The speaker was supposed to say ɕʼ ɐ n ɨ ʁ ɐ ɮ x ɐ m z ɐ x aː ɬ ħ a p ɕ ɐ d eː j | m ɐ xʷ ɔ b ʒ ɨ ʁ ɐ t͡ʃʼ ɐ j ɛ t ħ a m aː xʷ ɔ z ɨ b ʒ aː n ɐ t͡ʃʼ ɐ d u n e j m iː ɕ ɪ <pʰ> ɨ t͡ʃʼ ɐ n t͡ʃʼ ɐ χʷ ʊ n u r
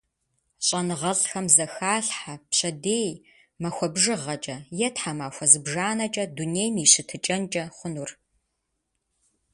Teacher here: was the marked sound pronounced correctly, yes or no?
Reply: no